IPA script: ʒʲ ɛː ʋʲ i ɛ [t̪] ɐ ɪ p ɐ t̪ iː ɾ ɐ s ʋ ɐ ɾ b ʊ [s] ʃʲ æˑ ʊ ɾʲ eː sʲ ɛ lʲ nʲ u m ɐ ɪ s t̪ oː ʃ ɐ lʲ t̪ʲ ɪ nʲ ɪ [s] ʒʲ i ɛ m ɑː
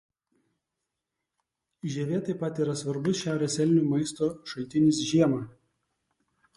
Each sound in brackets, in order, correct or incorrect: correct, correct, correct

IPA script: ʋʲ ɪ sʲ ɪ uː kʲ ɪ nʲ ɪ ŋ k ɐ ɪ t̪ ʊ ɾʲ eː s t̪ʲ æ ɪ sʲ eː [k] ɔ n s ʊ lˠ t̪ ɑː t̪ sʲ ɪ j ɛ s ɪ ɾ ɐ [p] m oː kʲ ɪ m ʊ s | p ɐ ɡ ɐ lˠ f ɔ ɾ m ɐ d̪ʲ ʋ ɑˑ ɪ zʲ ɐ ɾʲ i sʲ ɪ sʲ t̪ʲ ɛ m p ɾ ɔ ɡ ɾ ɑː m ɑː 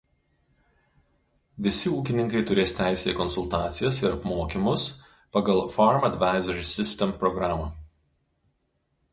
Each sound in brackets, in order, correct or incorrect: correct, correct

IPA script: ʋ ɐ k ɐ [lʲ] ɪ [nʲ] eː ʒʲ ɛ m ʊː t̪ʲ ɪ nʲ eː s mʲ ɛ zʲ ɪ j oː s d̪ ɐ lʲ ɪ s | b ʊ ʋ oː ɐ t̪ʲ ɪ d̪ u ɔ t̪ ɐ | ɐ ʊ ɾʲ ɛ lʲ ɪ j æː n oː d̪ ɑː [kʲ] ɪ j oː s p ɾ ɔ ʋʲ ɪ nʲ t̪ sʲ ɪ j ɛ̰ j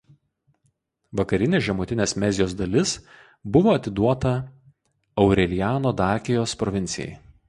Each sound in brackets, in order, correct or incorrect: incorrect, correct, correct

